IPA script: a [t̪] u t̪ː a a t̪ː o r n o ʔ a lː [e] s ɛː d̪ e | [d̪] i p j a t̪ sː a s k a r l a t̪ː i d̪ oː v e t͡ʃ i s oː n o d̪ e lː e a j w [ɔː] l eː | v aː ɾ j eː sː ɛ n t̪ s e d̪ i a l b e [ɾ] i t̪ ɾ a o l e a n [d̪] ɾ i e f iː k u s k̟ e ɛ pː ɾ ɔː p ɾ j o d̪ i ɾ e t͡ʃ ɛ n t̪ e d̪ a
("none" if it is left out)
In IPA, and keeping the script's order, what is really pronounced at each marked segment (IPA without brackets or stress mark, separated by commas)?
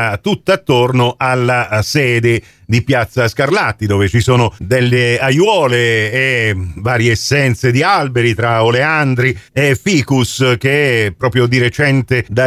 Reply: t̪, a, d̪, ɔː, ɾ, d̪